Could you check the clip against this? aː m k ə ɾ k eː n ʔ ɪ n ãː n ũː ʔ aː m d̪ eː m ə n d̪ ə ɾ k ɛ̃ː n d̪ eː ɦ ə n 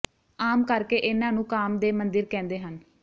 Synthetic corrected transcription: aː m k ə ɾ k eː ʔ ɪ n ãː n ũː k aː m d̪ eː m ə n d̪ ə ɾ k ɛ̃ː n d̪ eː ɦ ə n

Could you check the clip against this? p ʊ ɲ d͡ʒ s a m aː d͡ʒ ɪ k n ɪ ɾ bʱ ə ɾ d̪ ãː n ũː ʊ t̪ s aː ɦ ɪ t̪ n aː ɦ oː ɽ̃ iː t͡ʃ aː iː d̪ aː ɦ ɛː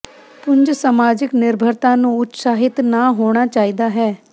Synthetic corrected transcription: p ʊ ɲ d͡ʒ s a m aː d͡ʒ ɪ k n ɪ ɾ bʱ ə ɾ t̪ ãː n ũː ʊ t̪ s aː ɦ ɪ t̪ n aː ɦ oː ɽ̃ aː t͡ʃ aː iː d̪ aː ɦ ɛː

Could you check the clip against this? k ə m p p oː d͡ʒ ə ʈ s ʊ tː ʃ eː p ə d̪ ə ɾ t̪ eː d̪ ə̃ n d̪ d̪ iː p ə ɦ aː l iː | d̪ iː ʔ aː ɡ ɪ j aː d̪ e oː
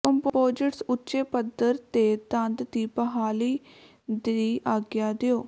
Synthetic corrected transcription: k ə m p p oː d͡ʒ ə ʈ s ʊ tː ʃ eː p ə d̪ ə ɾ t̪ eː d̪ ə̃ n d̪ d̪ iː p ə ɦ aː l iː | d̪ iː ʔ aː ɡ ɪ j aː d̪ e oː

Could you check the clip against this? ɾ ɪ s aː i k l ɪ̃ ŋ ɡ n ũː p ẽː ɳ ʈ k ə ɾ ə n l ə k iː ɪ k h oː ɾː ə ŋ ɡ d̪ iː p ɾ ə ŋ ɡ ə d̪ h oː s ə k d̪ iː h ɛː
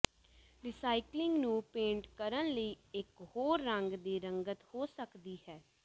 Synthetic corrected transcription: ɾ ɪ s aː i k l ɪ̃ ŋ ɡ n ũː p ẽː ɳ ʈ k ə ɾ ə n l ə iː ɪ k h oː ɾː ə ŋ ɡ d̪ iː ɾ ə ŋ ɡ ə t̪ h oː s ə k d̪ iː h ɛː

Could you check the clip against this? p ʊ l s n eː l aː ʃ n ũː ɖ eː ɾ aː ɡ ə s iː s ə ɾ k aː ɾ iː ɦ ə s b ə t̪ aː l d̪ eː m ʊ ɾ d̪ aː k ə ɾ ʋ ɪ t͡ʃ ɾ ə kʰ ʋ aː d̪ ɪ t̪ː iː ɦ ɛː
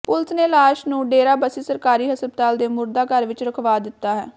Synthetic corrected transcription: p ʊ l s n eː l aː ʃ n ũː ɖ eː ɾ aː b ə s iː s ə ɾ k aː ɾ iː ɦ ə s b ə t̪ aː l d̪ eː m ʊ ɾ d̪ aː k ə ɾ ʋ ɪ t͡ʃ ɾ ə kʰ ʋ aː d̪ ɪ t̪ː aː ɦ ɛː

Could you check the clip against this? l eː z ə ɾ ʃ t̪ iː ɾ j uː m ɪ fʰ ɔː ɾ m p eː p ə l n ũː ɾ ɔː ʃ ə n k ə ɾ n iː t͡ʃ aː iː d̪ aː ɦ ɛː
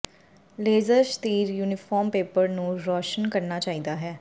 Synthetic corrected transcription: l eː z ə ɾ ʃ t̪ iː ɾ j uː n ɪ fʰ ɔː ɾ m p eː p ə ɾ n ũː ɾ ɔː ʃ ə n k ə ɾ n aː t͡ʃ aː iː d̪ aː ɦ ɛː

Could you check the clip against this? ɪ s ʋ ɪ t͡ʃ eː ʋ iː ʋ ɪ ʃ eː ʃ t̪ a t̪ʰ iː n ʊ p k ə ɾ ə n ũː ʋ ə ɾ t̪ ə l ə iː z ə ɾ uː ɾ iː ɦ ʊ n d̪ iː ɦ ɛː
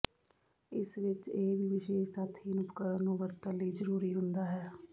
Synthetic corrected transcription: ɪ s ʋ ɪ t͡ʃ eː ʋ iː ʋ ɪ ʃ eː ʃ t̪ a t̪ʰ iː n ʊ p k ə ɾ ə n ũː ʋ ə ɾ t̪ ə l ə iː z ə ɾ uː ɾ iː ɦ ʊ n d̪ aː ɦ ɛː

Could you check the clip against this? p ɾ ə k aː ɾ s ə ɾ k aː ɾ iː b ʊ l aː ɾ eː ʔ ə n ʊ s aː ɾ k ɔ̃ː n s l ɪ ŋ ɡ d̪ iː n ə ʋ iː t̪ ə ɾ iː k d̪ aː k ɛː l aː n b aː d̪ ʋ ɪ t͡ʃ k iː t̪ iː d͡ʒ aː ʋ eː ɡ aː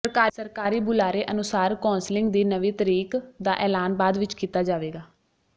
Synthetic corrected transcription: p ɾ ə k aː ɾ s ə ɾ k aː ɾ iː b ʊ l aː ɾ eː ʔ ə n ʊ s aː ɾ k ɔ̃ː n s l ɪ ŋ ɡ d̪ iː n ə ʋ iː t̪ ə ɾ iː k d̪ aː ʔ ɛː l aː n b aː d̪ ʋ ɪ t͡ʃ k iː t̪ aː d͡ʒ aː ʋ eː ɡ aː

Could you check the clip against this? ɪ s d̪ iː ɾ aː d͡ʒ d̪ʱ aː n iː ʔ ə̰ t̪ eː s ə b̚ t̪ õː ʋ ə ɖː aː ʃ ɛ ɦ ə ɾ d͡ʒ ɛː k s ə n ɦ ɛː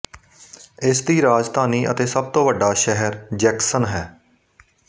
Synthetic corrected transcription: ɪ s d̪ iː ɾ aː d͡ʒ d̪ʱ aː n iː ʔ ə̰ t̪ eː s ə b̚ t̪ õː ʋ ə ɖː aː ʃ ɛ ɦ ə ɾ d͡ʒ ɛː k s ə n ɦ ɛː

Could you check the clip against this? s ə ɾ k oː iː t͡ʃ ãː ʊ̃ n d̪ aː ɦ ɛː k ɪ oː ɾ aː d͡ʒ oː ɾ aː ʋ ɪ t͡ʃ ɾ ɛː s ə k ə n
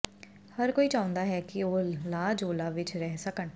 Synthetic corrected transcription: h ə ɾ k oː iː t͡ʃ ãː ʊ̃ n d̪ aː ɦ ɛː k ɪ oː l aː d͡ʒ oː l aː ʋ ɪ t͡ʃ ɾ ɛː s ə k ə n

